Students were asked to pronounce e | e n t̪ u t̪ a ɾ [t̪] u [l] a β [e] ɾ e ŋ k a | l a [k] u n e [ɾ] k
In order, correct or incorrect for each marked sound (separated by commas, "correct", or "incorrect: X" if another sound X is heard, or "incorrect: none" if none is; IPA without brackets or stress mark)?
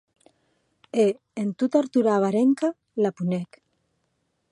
correct, incorrect: ɾ, incorrect: a, incorrect: p, incorrect: none